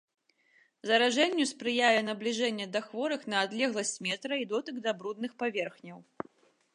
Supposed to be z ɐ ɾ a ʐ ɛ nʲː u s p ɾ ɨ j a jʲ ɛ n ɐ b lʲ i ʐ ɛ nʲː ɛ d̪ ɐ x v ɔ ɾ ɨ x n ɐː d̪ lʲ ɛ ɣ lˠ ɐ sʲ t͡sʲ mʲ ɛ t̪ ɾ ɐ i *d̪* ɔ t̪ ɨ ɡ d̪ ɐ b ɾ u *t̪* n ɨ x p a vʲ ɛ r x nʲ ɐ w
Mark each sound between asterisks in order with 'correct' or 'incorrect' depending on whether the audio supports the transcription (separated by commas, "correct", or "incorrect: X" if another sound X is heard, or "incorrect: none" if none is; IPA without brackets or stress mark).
correct, incorrect: d̪